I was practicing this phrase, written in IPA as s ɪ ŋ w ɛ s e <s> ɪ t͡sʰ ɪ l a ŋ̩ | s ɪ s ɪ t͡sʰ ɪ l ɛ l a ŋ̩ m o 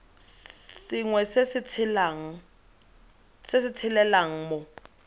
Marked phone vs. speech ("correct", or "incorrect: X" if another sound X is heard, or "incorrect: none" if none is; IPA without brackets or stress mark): correct